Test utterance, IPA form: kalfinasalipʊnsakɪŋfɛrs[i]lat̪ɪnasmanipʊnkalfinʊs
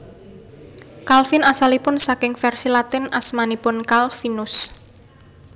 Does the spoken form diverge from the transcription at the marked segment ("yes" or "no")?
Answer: no